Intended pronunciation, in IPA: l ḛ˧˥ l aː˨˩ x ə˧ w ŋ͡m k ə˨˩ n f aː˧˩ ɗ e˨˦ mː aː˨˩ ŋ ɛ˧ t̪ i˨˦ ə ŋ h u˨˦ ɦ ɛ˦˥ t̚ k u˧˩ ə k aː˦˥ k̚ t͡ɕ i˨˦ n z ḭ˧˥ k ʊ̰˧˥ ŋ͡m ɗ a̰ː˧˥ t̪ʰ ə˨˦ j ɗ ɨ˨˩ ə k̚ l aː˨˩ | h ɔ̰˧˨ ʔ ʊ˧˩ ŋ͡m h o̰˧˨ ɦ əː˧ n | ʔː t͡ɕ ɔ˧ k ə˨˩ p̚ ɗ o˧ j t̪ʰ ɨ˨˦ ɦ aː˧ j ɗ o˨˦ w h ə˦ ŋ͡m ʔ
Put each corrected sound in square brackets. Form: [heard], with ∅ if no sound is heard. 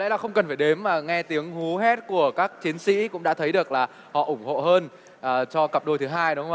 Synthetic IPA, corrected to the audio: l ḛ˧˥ l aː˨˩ x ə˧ w ŋ͡m k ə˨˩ n f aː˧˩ ɗ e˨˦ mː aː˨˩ ŋ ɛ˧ t̪ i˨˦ ə ŋ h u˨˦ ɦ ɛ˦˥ t̚ k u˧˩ ə k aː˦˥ k̚ t͡ɕ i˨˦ n [s] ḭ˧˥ k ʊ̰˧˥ ŋ͡m ɗ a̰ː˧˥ t̪ʰ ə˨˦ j ɗ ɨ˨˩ ə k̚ l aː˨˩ | h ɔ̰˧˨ ʔ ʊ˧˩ ŋ͡m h o̰˧˨ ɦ əː˧ n | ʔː t͡ɕ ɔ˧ k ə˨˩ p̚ ɗ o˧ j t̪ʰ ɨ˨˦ ɦ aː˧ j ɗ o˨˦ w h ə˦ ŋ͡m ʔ